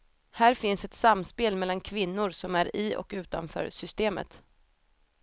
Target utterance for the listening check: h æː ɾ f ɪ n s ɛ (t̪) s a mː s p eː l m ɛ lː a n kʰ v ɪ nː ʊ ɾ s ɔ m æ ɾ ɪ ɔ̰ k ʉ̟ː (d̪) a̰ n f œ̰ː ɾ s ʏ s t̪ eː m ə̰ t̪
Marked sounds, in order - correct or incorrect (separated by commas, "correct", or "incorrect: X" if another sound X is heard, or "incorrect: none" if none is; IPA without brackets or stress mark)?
correct, incorrect: t̪